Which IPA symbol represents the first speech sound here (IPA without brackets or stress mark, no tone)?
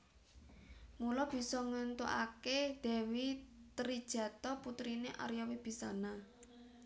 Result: m